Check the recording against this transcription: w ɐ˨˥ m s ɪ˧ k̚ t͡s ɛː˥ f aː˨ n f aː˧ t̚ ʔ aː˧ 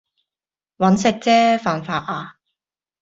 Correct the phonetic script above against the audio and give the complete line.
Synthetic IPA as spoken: w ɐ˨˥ n s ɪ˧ k̚ t͡s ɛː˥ f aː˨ n f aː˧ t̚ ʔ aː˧